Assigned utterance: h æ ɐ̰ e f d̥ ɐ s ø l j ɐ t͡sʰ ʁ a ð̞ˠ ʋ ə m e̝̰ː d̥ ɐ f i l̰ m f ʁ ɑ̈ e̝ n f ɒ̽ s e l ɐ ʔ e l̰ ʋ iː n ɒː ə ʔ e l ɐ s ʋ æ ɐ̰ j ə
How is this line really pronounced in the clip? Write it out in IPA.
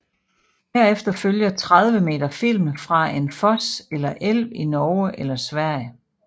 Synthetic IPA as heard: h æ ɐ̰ e f d̥ ɐ f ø l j ɐ t͡sʰ ʁ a ð̞ˠ ʋ ə m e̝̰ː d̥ ɐ f i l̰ m f ʁ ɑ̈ e̝ n f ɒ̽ s e l ɐ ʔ e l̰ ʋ i n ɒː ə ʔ e l ɐ s ʋ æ ɐ̰ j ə